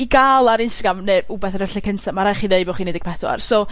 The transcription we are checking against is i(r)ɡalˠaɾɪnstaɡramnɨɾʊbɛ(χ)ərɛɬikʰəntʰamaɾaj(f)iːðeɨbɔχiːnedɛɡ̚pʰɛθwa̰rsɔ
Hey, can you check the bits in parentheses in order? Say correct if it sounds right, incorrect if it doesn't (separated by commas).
incorrect, incorrect, incorrect